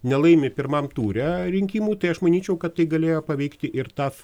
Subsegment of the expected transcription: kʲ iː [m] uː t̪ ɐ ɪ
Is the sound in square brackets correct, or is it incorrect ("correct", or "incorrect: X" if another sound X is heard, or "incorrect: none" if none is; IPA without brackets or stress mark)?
correct